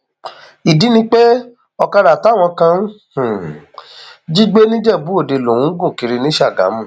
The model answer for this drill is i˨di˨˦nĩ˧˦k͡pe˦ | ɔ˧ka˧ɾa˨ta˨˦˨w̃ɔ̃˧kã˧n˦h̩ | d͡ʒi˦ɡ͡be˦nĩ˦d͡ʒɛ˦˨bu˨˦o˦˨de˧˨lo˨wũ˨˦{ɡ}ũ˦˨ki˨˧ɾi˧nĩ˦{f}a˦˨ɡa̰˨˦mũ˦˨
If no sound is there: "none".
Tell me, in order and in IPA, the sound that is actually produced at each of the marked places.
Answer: ɡ, ʃ

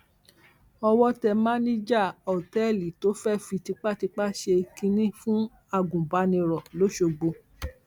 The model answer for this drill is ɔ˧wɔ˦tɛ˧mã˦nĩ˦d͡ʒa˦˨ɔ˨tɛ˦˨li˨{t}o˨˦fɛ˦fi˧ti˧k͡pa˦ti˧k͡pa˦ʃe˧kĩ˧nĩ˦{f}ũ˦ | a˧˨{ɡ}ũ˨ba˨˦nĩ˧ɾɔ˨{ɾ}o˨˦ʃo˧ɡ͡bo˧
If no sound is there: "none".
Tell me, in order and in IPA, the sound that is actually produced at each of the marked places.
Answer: t, f, ɡ, l

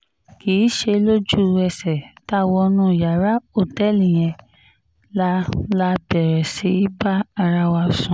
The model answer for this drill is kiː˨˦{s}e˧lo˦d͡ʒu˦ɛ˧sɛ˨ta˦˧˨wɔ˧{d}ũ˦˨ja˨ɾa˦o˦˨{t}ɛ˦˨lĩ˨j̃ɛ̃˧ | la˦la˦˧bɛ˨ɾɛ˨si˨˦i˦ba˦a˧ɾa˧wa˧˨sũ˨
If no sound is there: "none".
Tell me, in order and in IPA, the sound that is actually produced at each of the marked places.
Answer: ʃ, n, t

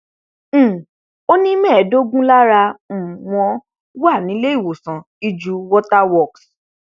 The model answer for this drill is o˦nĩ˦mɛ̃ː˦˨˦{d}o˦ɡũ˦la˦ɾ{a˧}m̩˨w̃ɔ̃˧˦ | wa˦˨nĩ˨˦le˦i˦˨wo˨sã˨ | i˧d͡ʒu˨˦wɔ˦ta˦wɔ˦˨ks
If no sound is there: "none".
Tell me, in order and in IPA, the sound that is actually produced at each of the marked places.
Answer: d, a˧

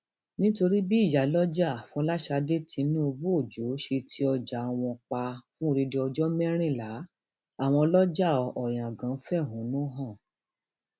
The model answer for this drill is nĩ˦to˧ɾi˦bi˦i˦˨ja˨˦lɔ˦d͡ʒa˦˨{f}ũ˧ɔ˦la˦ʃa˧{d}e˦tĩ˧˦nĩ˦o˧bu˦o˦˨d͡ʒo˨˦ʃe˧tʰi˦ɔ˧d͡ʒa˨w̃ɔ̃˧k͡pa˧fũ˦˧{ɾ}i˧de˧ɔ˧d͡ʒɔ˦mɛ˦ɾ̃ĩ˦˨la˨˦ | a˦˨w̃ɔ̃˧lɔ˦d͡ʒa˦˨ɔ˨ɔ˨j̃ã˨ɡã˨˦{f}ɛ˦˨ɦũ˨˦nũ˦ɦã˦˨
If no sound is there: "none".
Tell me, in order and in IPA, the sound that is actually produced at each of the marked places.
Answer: f, d, ɾ, f

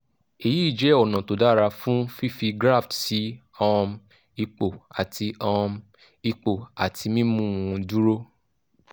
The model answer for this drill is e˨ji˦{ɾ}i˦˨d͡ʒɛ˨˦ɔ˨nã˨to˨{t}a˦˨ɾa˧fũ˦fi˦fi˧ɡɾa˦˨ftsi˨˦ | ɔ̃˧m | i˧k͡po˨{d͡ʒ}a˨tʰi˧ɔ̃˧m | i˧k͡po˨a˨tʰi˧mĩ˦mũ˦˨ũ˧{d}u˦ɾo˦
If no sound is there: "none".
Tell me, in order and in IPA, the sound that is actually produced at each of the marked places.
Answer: none, d, none, d

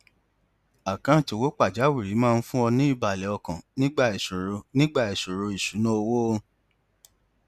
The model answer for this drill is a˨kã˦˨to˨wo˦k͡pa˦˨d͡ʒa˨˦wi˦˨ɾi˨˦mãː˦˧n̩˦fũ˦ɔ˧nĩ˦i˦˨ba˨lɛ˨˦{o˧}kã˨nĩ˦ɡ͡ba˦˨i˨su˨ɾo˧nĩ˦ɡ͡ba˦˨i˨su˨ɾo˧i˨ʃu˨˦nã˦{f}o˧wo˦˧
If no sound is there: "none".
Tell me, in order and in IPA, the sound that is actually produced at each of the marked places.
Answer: ɔ˧, none

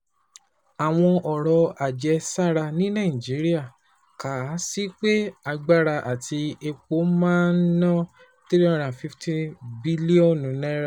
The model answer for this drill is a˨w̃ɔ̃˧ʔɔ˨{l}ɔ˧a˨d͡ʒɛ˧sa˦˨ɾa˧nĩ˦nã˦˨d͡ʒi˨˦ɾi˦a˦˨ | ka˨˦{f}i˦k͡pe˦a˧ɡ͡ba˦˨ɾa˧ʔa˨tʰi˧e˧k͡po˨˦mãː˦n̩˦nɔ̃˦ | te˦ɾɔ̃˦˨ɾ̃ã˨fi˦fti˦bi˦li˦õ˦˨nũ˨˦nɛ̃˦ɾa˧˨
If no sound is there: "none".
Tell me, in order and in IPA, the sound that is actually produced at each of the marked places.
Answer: ɾ, s

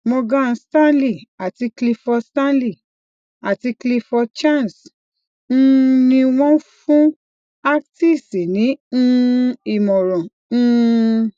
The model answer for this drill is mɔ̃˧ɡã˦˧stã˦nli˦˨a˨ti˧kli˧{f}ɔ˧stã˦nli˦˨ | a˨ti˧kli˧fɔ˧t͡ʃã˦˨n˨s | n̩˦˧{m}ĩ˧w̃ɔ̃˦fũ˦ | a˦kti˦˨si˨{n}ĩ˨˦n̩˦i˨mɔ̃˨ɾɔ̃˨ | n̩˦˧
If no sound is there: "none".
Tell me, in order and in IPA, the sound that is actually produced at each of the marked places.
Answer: f, n, n

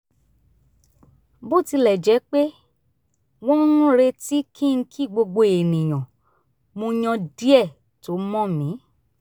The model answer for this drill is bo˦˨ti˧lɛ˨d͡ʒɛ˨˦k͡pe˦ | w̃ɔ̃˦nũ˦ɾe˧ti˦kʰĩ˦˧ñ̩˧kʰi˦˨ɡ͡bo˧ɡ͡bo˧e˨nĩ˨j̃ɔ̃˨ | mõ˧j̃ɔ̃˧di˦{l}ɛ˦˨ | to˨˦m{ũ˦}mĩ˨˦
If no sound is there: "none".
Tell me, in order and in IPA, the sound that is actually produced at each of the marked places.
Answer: none, ɔ̃˦

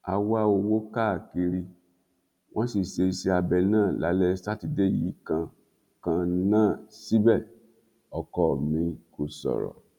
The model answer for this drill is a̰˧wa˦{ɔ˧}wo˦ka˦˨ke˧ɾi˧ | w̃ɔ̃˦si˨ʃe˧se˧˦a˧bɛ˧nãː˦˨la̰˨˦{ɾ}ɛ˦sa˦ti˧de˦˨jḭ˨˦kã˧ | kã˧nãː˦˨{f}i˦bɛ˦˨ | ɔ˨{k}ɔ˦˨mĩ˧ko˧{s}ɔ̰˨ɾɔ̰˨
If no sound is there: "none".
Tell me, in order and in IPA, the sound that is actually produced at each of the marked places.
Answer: o˧, l, s, k, s

